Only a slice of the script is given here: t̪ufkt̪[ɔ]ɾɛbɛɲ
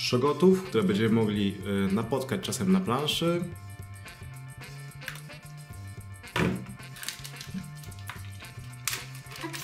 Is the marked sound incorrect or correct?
incorrect